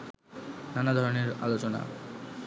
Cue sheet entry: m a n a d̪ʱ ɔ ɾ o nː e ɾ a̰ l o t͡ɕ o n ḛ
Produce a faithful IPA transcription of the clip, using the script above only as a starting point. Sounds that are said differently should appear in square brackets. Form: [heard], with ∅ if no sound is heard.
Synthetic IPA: [n] a n a d̪ʱ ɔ ɾ o [n] e ɾ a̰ l o t͡ɕ o n [a̰]